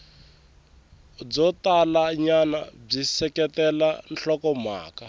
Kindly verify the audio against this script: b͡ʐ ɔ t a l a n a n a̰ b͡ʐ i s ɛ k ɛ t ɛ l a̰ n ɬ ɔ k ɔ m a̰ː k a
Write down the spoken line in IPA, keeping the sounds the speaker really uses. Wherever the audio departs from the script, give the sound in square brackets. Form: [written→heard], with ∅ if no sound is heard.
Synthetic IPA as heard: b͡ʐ ɔ t a l a [n→ɲ] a n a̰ b͡ʐ i s ɛ k ɛ t ɛ l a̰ n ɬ ɔ k ɔ m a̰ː k a